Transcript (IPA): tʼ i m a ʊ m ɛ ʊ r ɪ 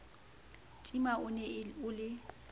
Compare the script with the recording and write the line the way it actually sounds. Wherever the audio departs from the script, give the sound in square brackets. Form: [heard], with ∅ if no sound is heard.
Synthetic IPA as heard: tʼ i m a ʊ [n] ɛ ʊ [l] ɪ